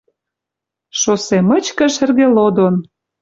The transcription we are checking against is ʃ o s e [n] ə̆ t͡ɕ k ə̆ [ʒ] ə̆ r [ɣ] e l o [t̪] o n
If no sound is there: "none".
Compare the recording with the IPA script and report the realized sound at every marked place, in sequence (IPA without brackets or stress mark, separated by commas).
m, ʃ, ɣ, d̪